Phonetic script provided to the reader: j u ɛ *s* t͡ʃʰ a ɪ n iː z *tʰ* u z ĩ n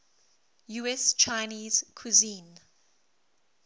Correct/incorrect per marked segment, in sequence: correct, incorrect: kʰ

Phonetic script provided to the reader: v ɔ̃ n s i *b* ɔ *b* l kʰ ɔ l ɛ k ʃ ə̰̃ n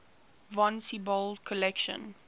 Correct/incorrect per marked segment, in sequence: correct, incorrect: none

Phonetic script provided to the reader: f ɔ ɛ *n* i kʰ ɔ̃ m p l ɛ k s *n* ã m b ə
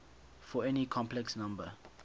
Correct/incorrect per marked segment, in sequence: correct, correct

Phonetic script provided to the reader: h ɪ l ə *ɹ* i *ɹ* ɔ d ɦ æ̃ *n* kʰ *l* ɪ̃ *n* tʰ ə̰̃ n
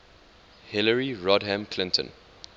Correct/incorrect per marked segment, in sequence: correct, correct, incorrect: m, correct, correct

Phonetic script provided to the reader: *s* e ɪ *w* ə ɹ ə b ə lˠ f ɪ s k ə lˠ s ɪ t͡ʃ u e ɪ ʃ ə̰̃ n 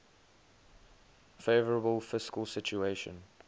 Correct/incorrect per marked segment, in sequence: incorrect: f, incorrect: v

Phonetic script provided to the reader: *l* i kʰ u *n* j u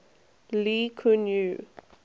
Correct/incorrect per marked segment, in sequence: correct, correct

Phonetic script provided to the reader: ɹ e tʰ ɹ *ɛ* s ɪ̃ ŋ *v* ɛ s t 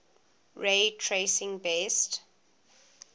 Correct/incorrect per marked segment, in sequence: incorrect: e, incorrect: b

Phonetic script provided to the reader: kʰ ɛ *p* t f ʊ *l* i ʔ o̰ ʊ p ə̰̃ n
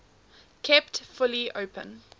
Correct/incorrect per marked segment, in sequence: correct, correct

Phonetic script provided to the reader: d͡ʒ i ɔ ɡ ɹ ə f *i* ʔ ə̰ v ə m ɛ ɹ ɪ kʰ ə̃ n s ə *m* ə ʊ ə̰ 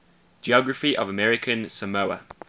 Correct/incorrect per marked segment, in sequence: correct, correct

